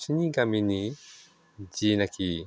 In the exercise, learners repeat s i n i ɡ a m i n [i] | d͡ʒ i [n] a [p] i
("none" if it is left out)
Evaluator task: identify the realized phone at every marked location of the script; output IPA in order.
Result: i, n, k

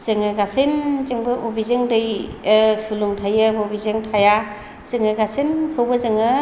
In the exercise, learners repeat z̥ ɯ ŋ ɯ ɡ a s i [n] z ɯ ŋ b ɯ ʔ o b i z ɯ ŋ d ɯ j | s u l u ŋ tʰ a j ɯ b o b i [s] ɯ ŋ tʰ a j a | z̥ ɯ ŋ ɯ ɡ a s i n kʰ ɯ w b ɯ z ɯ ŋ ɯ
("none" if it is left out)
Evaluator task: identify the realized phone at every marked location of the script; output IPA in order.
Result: n, z

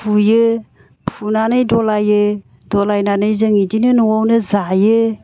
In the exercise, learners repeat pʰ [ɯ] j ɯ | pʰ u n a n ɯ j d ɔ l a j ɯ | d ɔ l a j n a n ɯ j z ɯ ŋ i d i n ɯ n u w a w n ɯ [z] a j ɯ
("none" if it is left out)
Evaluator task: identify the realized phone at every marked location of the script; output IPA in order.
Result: u, z

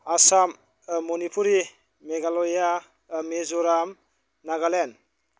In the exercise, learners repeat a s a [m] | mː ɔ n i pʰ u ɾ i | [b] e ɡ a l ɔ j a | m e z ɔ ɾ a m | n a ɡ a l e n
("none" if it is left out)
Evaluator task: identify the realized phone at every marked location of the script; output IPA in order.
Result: m, m

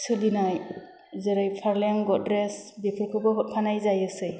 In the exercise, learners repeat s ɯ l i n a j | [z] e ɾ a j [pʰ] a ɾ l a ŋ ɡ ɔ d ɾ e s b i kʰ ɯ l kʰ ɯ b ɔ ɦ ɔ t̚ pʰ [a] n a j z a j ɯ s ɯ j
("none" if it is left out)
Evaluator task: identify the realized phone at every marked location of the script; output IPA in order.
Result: z, pʰ, a

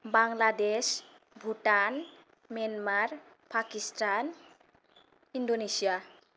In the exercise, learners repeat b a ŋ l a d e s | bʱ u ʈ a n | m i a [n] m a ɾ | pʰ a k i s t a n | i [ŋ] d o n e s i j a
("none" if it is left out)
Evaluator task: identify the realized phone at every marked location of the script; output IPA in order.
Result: n, n

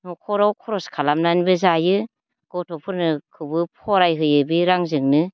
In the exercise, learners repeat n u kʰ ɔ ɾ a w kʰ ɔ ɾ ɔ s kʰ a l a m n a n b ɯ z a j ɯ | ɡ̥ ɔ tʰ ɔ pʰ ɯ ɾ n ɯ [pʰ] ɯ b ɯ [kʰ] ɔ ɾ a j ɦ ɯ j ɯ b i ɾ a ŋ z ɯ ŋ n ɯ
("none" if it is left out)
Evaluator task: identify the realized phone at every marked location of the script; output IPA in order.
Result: kʰ, pʰ

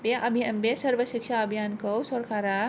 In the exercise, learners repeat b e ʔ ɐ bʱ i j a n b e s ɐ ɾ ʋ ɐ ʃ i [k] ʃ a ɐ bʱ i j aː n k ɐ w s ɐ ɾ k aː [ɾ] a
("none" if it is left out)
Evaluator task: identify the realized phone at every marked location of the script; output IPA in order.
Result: k, ɾ

